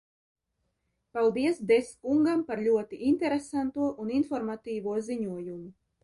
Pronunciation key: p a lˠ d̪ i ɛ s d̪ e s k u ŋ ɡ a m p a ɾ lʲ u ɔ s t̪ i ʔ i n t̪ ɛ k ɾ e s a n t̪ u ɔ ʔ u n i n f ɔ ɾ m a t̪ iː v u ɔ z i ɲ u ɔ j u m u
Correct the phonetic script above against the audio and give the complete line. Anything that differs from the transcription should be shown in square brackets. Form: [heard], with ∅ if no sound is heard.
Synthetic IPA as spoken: p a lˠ d̪ i ɛ s d̪ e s k u ŋ ɡ a m p a ɾ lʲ u ɔ [∅] t̪ i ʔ i n t̪ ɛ [∅] ɾ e s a n t̪ u ɔ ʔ u n i n f ɔ ɾ m a t̪ iː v u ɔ z i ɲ u ɔ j u m u